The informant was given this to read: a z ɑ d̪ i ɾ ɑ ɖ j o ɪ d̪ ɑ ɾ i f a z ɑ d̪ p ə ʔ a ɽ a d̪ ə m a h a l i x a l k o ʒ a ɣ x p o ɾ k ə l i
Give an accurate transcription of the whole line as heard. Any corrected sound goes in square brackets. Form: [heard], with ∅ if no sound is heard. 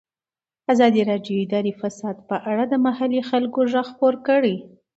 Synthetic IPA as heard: a z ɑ d̪ i ɾ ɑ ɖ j o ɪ d̪ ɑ ɾ i f a [s] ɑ d̪ p ə ʔ a ɽ a d̪ ə m a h a l i x a l k o ʒ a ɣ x p o ɾ k ə [ɽ] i